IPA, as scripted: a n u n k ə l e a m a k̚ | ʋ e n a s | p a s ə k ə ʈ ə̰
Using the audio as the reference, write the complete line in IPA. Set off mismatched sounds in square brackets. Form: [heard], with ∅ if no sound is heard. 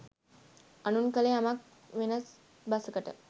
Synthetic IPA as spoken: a n u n k ə l e a m a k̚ | ʋ e n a s | [b] a s ə k ə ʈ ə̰